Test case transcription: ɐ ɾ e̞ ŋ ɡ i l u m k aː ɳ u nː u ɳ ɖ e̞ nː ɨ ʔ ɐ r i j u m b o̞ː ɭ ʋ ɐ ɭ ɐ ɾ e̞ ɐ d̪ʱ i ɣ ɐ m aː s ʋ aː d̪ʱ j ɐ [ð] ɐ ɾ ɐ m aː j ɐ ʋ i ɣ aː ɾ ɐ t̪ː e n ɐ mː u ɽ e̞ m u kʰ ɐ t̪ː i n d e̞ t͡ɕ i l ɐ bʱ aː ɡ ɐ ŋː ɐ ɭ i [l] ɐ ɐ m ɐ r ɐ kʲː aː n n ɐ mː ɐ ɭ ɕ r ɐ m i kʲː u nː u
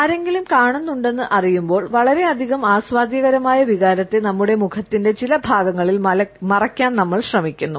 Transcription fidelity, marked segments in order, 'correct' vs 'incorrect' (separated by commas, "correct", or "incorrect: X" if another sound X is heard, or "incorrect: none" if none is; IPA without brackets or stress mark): incorrect: ɣ, correct